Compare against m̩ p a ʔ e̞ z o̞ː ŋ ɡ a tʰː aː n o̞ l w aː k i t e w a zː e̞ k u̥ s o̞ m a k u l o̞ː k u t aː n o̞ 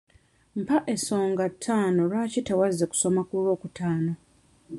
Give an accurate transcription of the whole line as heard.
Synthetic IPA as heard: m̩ p a ʔ e̞ s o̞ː ŋ ɡ a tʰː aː n o̞ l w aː c i t e w a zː e̞ k u̥ s o̞ m a k u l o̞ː k u t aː n o̞